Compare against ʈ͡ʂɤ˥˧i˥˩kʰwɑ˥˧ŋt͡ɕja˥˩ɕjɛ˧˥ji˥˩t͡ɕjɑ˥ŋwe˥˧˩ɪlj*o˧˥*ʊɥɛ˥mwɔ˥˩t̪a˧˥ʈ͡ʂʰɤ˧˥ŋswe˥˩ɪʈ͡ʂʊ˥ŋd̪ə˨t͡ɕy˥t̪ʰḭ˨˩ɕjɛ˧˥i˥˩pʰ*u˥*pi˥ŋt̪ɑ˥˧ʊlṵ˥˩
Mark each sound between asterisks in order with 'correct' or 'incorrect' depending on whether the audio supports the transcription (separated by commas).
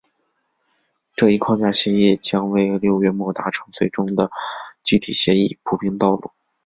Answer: incorrect, incorrect